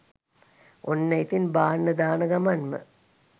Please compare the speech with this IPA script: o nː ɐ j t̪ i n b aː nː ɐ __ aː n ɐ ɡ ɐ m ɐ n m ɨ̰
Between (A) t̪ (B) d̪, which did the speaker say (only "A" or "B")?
B